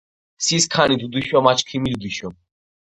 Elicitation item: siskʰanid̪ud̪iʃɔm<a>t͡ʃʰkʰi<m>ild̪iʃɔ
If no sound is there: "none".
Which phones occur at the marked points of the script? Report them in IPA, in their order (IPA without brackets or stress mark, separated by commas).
a, m